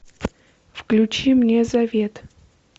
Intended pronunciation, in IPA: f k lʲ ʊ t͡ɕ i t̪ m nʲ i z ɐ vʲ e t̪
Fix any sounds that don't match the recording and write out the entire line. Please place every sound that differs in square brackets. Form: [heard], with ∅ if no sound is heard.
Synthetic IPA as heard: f k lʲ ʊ t͡ɕ i [∅] m nʲ [e] z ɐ vʲ e t̪